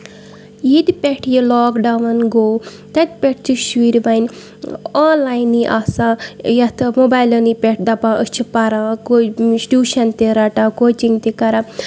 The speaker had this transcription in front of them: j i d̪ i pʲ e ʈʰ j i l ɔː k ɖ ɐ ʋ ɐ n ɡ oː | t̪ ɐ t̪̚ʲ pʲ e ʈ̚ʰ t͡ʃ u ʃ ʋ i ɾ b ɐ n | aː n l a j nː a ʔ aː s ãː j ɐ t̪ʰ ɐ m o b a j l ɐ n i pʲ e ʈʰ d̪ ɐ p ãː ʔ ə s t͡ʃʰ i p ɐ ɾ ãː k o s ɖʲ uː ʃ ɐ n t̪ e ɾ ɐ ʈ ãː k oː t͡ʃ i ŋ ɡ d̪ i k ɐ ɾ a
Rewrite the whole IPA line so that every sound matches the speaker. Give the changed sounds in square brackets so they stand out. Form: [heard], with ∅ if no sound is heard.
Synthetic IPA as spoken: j i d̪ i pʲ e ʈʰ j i l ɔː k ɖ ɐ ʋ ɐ n ɡ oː | t̪ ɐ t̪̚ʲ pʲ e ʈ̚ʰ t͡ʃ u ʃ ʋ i ɾ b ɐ n | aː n l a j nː [i] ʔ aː s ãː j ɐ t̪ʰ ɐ m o b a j l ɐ n i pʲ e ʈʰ d̪ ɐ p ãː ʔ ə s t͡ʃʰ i p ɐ ɾ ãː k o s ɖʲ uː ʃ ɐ n t̪ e ɾ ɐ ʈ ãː k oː t͡ʃ i ŋ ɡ [t̪] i k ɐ ɾ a